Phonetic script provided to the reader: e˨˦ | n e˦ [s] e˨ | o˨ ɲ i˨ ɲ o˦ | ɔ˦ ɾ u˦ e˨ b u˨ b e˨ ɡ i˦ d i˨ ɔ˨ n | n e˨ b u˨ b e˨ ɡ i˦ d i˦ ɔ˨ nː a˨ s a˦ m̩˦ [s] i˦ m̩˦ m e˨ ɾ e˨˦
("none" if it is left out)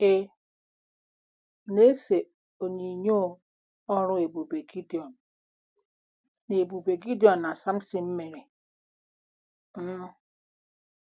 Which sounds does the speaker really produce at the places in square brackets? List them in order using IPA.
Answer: s, s

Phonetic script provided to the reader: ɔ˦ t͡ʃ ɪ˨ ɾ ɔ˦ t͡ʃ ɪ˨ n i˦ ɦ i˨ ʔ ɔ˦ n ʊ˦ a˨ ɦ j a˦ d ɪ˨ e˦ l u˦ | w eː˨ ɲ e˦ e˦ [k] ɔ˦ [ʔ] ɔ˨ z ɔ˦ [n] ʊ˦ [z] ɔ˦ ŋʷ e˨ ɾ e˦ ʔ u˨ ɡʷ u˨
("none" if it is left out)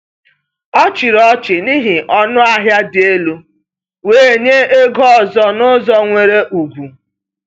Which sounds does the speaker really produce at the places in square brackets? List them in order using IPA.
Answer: ɡ, none, n, z

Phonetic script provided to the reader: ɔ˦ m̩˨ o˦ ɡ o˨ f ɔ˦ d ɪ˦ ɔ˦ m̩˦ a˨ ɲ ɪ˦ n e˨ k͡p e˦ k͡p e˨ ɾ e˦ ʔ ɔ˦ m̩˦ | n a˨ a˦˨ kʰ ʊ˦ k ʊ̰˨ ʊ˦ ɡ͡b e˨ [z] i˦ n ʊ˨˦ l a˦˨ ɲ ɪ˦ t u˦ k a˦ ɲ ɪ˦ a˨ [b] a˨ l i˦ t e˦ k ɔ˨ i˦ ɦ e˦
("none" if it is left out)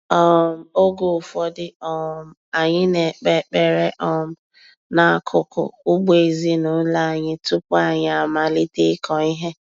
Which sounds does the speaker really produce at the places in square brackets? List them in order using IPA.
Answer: z, m

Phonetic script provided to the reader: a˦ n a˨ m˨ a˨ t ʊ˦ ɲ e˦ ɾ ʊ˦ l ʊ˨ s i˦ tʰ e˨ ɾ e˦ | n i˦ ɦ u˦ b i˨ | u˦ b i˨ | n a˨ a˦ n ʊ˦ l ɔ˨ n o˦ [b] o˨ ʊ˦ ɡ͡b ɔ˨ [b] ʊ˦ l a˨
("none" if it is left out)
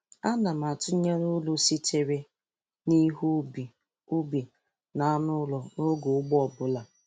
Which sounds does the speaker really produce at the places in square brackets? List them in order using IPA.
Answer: ɡ, b

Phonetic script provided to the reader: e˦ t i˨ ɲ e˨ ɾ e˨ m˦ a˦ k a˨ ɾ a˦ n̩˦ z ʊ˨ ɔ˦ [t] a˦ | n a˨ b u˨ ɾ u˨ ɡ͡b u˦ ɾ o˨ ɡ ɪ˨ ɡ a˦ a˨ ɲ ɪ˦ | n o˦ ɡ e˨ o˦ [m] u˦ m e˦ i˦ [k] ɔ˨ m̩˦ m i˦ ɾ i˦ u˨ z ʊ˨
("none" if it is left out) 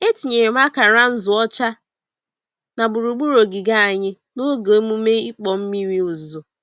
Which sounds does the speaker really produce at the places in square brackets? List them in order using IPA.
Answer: t͡ʃ, m, k͡p

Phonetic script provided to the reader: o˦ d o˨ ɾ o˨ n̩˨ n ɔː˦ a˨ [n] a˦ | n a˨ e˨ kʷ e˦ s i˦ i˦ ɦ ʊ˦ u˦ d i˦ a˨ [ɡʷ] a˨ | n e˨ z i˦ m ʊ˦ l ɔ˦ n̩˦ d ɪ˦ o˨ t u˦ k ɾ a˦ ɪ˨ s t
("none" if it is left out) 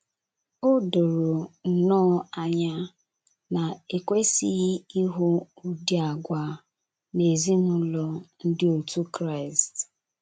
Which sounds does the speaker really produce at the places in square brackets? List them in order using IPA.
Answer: ɲ, ɡʷ

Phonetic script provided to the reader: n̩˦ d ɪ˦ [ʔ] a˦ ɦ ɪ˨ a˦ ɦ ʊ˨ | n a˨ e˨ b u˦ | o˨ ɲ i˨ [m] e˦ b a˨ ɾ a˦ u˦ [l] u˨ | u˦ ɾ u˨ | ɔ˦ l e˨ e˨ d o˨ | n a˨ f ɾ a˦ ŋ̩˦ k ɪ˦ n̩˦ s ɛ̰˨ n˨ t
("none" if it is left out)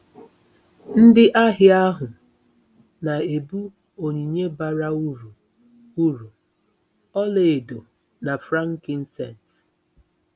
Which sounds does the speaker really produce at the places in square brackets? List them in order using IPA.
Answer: ʔ, ɲ, ɾ

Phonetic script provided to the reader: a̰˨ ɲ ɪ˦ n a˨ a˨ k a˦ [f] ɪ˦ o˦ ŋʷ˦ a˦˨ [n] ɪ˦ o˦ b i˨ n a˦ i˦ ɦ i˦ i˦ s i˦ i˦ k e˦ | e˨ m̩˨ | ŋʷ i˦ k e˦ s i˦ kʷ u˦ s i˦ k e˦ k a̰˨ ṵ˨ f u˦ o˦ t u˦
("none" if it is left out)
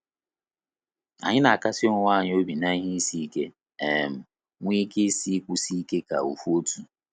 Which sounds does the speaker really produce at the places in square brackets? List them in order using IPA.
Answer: s, ɲ

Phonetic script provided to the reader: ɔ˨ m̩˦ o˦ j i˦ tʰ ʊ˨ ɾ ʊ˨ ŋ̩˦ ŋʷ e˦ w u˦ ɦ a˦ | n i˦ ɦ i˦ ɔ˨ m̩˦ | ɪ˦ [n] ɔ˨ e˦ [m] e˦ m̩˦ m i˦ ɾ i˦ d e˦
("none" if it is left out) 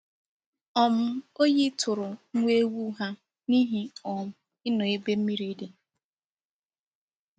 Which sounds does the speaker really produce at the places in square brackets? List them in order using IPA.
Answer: n, b

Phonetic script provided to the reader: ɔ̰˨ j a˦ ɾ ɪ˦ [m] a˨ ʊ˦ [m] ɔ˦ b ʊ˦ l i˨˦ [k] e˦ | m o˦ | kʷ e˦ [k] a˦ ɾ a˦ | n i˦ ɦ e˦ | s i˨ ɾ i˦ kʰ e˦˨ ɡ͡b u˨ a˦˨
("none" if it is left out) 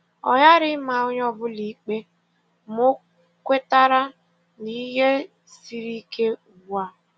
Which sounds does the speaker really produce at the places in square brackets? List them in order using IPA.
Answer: m, ɲ, k͡p, t

